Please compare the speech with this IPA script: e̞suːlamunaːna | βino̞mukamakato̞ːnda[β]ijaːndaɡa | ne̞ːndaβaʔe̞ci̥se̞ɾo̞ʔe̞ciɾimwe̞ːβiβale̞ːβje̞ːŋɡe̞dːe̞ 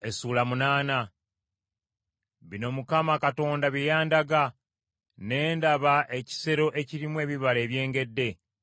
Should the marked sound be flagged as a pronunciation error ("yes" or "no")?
no